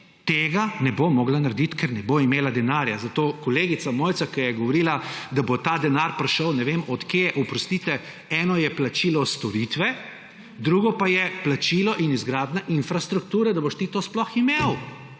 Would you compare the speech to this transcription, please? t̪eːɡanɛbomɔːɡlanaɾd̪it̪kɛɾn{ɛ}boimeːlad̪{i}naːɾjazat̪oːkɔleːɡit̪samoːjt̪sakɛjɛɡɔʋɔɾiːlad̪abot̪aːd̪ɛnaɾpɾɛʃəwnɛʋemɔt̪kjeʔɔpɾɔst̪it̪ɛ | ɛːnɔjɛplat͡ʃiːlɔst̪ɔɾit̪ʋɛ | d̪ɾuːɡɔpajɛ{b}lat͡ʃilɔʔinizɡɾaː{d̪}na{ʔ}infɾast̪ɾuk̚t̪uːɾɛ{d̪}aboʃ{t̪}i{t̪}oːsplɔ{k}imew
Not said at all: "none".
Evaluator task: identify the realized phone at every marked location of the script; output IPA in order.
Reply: ɛ, ɛ, p, d̪, ʔ, d̪, t̪, t̪, x

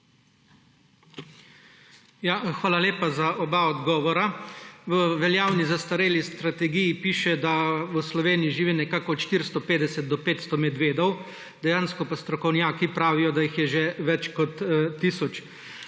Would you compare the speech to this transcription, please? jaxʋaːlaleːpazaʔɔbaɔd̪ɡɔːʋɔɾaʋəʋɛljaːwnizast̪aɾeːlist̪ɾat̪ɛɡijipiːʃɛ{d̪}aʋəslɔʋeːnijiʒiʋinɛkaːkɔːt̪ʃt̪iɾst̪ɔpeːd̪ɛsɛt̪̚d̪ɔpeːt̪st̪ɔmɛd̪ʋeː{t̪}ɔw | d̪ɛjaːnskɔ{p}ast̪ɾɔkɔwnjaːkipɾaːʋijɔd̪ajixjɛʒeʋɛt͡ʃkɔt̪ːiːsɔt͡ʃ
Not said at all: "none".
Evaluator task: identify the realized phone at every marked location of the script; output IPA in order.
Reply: d̪, d̪, p

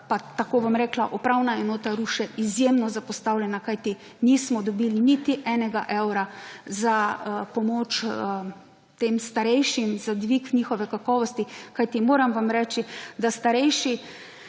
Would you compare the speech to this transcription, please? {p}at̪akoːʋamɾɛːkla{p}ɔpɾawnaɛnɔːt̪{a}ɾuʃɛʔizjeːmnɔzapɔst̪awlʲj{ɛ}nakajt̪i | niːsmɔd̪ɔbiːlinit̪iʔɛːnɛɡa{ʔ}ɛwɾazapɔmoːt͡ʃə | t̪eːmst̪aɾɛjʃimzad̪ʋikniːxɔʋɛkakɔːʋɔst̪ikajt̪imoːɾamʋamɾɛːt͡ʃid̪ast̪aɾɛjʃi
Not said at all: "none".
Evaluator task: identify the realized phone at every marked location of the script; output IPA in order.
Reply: p, ʔ, a, ɛ, ʔ

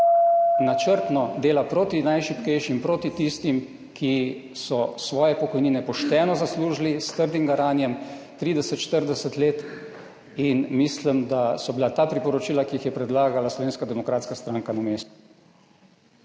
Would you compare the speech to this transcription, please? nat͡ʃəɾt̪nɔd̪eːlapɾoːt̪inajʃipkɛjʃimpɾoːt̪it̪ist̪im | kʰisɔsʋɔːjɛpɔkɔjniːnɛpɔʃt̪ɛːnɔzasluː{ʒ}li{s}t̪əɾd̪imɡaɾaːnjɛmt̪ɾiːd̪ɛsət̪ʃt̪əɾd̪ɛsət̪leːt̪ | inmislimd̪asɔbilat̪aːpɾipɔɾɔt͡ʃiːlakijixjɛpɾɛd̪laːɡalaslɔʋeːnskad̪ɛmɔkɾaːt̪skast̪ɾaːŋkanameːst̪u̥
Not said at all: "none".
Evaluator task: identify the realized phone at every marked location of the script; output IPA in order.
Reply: ʒ, s

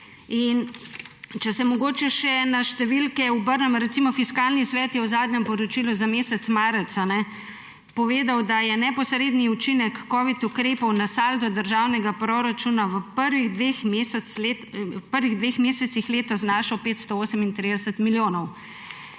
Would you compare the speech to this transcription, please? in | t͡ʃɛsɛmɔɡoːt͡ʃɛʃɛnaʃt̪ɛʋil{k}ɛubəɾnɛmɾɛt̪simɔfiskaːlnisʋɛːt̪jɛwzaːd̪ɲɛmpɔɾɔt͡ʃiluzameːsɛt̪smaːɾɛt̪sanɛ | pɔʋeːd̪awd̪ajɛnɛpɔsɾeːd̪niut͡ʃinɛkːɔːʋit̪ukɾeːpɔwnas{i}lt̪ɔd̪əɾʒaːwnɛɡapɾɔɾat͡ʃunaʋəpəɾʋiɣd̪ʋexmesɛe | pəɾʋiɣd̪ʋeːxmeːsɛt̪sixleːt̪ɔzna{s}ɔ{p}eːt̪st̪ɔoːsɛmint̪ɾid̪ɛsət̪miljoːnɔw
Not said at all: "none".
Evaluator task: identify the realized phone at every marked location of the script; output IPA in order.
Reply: k, a, ʃ, p

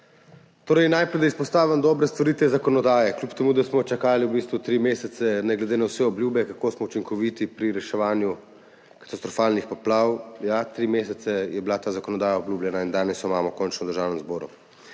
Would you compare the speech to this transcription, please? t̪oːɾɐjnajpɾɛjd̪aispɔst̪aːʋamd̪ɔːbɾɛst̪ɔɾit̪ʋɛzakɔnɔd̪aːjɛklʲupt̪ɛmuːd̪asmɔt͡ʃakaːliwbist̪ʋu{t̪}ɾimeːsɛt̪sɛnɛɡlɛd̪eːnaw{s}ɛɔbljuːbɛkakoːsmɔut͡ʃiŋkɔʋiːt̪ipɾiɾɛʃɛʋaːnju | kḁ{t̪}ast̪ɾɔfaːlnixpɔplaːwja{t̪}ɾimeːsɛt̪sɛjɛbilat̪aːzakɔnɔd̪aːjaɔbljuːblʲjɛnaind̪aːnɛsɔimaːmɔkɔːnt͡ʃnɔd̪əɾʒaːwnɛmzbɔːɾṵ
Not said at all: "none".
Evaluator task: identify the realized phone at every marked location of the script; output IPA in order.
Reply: t̪, s, t̪, t̪

